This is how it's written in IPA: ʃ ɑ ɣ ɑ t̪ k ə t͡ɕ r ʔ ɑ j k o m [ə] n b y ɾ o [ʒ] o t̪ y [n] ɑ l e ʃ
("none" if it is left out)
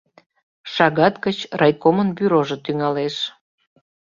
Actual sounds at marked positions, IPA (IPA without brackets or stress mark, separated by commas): ə, ʒ, ŋ